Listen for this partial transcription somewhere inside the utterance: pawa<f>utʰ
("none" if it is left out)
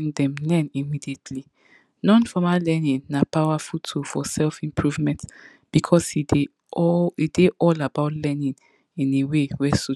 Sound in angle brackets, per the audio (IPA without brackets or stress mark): f